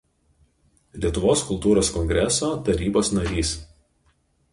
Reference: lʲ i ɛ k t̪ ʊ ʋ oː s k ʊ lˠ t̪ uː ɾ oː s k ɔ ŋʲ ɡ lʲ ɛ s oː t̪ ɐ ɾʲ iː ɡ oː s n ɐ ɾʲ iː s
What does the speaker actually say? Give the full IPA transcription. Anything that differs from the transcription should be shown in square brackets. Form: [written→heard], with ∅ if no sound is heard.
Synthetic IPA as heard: lʲ i ɛ [k→∅] t̪ ʊ ʋ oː s k ʊ lˠ t̪ uː ɾ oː s k ɔ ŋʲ ɡ [lʲ→ɾʲ] ɛ s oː t̪ ɐ ɾʲ iː [ɡ→b] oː s n ɐ ɾʲ iː s

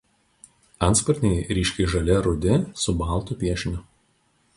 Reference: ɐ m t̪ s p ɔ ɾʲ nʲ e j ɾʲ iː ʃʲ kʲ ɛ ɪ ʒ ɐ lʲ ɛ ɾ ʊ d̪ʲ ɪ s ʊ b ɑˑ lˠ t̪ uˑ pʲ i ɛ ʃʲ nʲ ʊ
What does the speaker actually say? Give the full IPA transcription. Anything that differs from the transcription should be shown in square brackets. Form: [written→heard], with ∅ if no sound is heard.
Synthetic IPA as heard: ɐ [m→n] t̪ s p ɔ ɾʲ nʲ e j ɾʲ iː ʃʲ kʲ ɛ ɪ ʒ ɐ lʲ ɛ ɾ ʊ d̪ʲ ɪ s ʊ b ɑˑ lˠ t̪ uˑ pʲ i ɛ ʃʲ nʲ ʊ

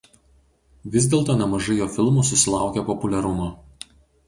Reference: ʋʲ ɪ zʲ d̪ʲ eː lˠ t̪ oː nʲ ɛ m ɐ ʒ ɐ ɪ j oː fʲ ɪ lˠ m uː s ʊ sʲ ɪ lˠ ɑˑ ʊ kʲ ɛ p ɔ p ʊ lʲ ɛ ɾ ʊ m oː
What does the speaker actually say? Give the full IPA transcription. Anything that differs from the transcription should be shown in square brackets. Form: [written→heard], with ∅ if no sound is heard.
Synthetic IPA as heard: ʋʲ ɪ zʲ d̪ʲ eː lˠ t̪ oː nʲ ɛ m ɐ ʒ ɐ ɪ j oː fʲ ɪ lˠ m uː s ʊ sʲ ɪ lˠ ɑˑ ʊ kʲ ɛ p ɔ p ʊ lʲ ɛ ɾ ʊ m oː

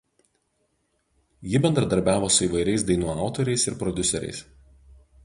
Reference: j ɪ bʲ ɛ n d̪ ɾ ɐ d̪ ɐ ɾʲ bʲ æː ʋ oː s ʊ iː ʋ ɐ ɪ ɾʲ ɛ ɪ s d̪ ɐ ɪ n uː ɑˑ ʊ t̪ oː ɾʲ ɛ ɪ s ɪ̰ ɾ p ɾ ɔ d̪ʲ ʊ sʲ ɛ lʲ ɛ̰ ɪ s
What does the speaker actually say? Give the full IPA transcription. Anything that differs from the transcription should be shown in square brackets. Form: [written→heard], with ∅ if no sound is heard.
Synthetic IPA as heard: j ɪ bʲ ɛ n d̪ ɾ ɐ d̪ ɐ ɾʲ bʲ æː ʋ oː s ʊ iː ʋ ɐ ɪ ɾʲ ɛ ɪ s d̪ ɐ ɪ n uː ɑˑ ʊ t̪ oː ɾʲ ɛ ɪ s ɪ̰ ɾ p ɾ ɔ d̪ʲ ʊ sʲ ɛ [lʲ→ɾʲ] ɛ̰ ɪ s

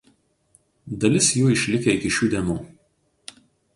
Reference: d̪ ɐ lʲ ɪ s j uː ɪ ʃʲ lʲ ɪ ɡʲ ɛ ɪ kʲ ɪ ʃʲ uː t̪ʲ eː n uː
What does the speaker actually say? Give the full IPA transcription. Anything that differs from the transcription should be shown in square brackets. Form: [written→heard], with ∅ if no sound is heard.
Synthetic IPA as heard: d̪ ɐ lʲ ɪ s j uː ɪ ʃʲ lʲ ɪ [ɡʲ→kʲ] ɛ ɪ kʲ ɪ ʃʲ uː [t̪ʲ→d̪ʲ] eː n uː

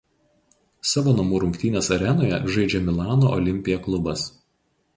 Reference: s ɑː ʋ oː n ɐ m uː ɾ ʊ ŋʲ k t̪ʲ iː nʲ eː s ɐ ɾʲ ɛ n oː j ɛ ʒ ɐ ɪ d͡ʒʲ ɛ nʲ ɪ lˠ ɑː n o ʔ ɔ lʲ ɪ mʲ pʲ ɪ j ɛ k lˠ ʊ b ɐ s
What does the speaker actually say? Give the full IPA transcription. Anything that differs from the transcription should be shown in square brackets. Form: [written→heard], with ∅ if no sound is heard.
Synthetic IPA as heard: s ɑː ʋ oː n ɐ m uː ɾ ʊ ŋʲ k t̪ʲ iː nʲ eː s ɐ ɾʲ ɛ n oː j ɛ ʒ ɐ ɪ d͡ʒʲ ɛ [nʲ→mʲ] ɪ lˠ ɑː n o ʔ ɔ lʲ ɪ mʲ pʲ ɪ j ɛ k lˠ ʊ b ɐ s

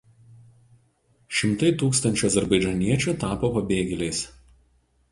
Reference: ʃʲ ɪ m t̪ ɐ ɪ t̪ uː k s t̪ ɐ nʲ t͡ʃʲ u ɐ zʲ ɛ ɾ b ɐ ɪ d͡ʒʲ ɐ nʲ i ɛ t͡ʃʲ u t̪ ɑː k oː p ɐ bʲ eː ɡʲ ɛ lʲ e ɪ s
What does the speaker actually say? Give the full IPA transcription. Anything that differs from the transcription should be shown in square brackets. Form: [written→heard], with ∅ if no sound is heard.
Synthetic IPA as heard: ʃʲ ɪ m t̪ ɐ ɪ t̪ uː k s t̪ ɐ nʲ t͡ʃʲ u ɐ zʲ ɛ ɾ b ɐ ɪ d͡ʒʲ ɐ nʲ i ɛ t͡ʃʲ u t̪ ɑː [k→p] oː p ɐ bʲ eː ɡʲ ɛ lʲ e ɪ s

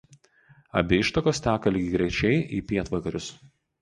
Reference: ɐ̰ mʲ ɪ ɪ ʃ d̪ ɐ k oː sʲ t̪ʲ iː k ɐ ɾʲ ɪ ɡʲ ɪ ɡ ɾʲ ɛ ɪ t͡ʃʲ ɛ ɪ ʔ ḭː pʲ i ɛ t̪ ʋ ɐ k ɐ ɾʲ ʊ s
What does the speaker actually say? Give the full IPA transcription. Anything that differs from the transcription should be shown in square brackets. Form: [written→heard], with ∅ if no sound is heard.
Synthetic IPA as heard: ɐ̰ [mʲ→bʲ] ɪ ɪ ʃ [d̪→t̪] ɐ k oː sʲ t̪ʲ [iː→æː] k ɐ [ɾʲ→lʲ] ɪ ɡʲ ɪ ɡ ɾʲ ɛ ɪ t͡ʃʲ ɛ ɪ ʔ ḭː pʲ i ɛ t̪ ʋ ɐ k ɐ ɾʲ ʊ s

